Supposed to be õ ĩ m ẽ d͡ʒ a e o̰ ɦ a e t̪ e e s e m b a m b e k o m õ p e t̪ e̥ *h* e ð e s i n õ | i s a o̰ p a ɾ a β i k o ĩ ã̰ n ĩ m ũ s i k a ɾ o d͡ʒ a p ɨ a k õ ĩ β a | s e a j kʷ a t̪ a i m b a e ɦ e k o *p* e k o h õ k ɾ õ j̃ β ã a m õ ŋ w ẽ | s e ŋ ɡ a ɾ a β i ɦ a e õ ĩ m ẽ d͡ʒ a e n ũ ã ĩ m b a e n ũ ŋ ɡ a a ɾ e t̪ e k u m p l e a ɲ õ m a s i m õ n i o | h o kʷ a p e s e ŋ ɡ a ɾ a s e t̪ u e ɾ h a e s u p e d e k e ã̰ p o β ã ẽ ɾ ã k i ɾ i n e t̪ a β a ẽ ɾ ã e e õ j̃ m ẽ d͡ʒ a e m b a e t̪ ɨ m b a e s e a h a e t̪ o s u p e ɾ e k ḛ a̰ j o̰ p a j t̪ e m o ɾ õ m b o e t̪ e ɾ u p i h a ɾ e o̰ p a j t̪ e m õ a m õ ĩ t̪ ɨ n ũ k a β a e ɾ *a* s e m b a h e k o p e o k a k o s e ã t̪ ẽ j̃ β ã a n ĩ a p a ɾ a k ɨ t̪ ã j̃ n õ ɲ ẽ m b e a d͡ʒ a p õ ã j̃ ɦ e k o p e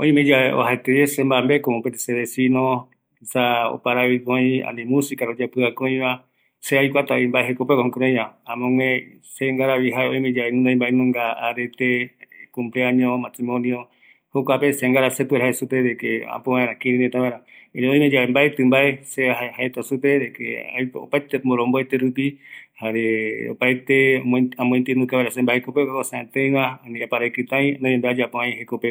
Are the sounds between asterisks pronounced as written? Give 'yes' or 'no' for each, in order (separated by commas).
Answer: no, yes, yes